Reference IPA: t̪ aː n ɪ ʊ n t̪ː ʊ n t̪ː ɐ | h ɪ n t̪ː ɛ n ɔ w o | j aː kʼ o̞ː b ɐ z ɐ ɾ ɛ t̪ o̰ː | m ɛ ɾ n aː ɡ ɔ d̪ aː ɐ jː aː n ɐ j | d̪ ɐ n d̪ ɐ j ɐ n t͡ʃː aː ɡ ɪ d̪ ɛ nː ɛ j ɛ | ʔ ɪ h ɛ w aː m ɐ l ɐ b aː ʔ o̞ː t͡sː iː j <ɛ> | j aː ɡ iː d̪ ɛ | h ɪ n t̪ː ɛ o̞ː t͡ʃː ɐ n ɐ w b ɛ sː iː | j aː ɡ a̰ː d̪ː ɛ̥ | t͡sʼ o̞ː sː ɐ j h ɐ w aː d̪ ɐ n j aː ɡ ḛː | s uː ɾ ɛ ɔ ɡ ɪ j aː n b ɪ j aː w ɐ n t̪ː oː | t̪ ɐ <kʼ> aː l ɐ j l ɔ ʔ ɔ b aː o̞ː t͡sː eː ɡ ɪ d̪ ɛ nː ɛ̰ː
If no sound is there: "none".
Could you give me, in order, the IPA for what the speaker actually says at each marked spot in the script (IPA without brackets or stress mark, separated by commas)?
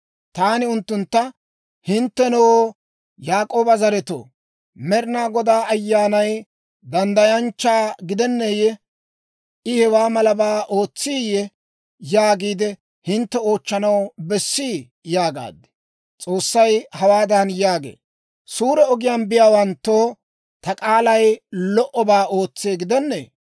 ɛ, kʼ